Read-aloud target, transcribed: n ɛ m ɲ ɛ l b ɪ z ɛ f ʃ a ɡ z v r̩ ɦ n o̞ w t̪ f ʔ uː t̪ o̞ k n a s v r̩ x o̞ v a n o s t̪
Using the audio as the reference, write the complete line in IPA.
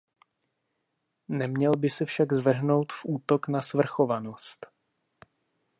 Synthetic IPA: n ɛ m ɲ ɛ l b ɪ s ɛ f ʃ a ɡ z v r̩ ɦ n o̞ w t̪ f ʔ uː t̪ o̞ k n a s v r̩ x o̞ v a n o s t̪